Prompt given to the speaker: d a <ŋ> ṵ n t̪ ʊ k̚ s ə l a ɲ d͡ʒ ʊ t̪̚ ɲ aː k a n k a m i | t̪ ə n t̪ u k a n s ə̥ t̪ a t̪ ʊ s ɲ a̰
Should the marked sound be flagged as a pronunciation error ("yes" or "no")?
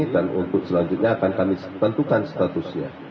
yes